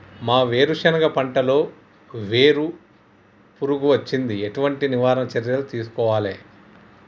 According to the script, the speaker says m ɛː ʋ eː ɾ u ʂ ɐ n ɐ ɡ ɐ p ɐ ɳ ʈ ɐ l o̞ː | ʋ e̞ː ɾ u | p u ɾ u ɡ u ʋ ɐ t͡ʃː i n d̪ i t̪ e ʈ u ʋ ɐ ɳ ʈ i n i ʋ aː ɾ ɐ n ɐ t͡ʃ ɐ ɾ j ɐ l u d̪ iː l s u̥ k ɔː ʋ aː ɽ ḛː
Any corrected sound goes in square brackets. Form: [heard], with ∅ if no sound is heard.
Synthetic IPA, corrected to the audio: m [aː] ʋ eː ɾ u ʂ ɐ n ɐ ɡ ɐ p ɐ ɳ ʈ ɐ l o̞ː | ʋ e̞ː ɾ u | p u ɾ u ɡ u ʋ ɐ t͡ʃː i n d̪ i [∅] e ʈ u ʋ ɐ ɳ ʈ i n i ʋ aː ɾ ɐ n ɐ t͡ʃ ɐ ɾ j ɐ l u [t̪] iː [∅] s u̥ k ɔː ʋ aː [l] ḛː